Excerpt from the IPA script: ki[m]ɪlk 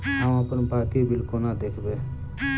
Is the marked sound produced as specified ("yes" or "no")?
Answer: no